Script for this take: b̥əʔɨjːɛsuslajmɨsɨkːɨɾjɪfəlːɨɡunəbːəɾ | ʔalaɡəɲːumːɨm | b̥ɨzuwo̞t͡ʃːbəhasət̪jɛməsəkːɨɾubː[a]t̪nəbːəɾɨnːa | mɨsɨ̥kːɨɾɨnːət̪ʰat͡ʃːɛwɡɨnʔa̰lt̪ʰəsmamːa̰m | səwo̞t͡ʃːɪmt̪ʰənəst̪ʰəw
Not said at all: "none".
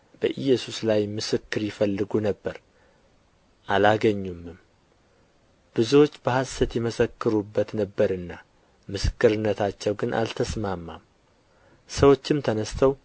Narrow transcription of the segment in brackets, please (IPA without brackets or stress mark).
ə